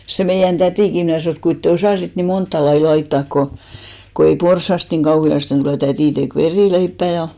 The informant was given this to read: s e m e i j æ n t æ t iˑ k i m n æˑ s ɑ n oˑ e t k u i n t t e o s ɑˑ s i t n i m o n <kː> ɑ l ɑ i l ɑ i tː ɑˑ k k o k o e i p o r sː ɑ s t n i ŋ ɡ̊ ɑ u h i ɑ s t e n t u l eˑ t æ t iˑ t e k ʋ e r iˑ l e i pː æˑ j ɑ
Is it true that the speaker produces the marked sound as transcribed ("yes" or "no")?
no